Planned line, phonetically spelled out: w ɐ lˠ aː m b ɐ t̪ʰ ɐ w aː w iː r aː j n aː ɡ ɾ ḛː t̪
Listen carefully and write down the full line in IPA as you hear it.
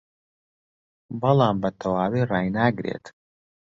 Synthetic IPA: b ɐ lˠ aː m b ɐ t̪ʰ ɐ w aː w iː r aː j n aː ɡ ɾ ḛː t̪

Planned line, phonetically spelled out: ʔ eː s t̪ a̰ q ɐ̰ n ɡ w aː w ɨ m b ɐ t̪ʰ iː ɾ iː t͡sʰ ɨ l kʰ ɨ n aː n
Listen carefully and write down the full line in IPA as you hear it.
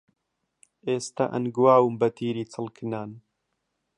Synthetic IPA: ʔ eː s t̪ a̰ ʔ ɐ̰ n ɡ w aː w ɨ m b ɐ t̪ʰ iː ɾ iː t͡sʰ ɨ l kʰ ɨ n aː n

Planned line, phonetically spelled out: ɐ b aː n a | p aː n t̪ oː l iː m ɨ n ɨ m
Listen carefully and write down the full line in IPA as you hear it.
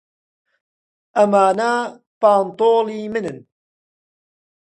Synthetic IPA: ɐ m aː n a | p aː n t̪ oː l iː m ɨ n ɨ n

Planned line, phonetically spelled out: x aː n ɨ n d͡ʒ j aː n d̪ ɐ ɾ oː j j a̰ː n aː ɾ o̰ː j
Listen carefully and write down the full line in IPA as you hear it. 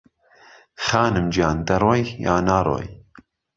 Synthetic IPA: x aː n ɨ m d͡ʒ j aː n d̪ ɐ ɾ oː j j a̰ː n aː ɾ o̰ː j

